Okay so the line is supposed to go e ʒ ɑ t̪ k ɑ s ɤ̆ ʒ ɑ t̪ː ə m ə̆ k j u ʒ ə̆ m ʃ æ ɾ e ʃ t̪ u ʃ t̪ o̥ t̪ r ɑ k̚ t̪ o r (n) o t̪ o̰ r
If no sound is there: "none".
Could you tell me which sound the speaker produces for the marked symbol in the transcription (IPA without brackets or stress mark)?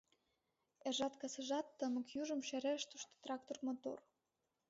m